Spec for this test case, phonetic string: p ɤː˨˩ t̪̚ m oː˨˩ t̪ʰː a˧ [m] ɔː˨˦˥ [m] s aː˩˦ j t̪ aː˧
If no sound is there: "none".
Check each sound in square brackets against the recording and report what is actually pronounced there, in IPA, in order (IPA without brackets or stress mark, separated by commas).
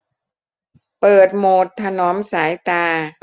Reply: n, m